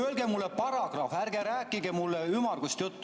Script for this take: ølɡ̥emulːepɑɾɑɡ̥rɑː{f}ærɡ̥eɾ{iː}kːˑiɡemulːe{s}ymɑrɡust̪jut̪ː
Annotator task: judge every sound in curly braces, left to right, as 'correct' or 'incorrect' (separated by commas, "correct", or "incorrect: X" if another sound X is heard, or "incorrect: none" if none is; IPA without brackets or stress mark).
correct, incorrect: æː, incorrect: none